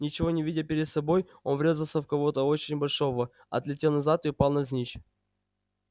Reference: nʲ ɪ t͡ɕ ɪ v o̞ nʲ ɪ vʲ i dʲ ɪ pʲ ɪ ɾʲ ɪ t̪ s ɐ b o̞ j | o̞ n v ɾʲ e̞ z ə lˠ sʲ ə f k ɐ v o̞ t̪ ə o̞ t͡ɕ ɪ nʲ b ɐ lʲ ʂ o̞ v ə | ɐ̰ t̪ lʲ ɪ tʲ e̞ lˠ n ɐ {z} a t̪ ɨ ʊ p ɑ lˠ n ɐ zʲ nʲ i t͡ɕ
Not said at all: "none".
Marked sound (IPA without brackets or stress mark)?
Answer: z